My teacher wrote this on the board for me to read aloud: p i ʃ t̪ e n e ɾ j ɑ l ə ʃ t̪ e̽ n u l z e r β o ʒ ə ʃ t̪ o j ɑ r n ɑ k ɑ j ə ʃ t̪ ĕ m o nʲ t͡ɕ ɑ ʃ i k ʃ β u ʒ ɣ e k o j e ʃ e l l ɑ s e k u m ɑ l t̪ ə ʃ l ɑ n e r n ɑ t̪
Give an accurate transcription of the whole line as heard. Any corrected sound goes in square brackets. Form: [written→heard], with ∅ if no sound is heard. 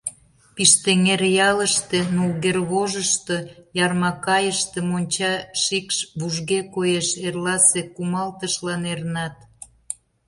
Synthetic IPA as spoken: p i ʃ t̪ e [n→ŋ] e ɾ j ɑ l ə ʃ t̪ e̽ n u l [z→ɣ] e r β o ʒ ə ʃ t̪ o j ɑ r [n→m] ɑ k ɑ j ə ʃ t̪ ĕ m o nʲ t͡ɕ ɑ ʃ i k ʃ β u ʒ ɣ e k o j e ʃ e [l→r] l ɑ s e k u m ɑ l t̪ ə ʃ l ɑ n e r n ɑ t̪